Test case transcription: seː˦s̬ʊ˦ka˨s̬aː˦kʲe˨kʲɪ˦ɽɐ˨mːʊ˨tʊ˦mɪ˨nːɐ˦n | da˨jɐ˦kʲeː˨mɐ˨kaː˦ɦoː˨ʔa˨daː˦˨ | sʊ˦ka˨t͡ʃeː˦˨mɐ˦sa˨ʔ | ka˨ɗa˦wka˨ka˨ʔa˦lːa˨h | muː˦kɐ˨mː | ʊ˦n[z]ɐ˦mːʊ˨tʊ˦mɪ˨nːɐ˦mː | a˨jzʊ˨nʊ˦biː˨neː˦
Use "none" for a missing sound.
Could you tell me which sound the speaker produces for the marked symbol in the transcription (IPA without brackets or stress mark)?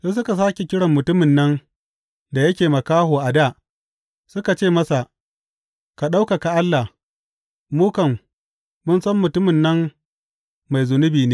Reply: s